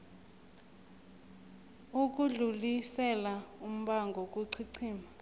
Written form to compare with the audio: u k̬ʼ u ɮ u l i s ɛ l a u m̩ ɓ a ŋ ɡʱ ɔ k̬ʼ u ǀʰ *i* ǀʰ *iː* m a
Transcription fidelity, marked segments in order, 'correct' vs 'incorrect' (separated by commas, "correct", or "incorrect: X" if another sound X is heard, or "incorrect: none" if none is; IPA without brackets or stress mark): correct, correct